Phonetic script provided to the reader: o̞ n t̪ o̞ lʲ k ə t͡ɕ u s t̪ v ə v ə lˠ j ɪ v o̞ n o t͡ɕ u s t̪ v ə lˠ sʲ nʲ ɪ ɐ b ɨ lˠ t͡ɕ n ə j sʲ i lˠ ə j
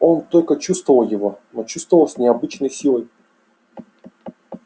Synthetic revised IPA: o̞ n t̪ o̞ lʲ k ə t͡ɕ u s t̪ v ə v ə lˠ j ɪ v o̞ n o t͡ɕ u s t̪ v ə lˠ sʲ nʲ ɪ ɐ b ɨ t͡ɕ n ə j sʲ i lˠ ə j